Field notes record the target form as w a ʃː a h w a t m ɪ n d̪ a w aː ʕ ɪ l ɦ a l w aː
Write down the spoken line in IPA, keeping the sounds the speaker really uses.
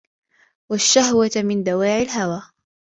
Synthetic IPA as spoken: w a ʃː a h w a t m ɪ n d̪ a w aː ʕ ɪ l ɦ a w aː